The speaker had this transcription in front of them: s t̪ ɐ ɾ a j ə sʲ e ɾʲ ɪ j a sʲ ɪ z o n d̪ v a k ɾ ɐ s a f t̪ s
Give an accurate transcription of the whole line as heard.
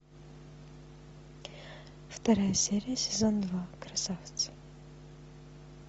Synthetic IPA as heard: f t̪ ɐ ɾ a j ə sʲ e ɾʲ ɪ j ə sʲ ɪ z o n d̪ v a k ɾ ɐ s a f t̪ s